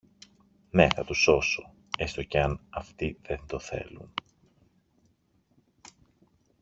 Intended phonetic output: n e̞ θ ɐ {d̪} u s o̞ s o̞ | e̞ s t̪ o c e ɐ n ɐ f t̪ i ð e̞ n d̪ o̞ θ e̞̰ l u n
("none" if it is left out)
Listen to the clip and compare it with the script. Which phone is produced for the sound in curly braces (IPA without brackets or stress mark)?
t̪